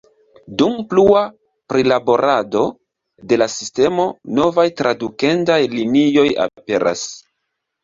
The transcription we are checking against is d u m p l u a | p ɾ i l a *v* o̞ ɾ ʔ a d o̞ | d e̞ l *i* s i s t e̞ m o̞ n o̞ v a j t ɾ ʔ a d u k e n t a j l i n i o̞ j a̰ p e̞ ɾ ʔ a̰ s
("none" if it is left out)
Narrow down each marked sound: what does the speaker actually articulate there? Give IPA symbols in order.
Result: b, a

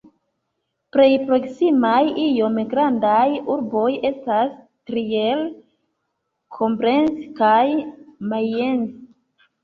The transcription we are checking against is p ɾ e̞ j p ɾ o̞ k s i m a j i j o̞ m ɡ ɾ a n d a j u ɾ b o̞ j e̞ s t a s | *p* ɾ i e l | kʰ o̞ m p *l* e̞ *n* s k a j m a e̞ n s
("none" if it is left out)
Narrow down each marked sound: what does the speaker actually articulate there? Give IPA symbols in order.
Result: t, ɾ, n

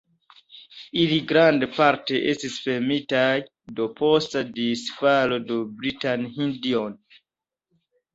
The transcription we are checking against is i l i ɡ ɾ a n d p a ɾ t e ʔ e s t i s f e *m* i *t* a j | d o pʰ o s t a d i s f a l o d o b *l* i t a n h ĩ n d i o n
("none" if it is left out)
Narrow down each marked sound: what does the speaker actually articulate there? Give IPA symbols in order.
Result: m, t, ɾ

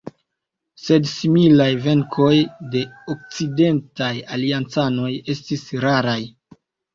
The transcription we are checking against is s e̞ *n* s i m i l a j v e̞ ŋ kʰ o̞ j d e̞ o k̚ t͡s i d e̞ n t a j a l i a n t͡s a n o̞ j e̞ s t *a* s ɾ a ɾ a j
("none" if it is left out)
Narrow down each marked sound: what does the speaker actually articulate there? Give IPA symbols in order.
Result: d, i

